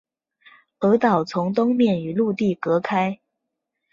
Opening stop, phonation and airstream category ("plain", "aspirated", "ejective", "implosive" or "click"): plain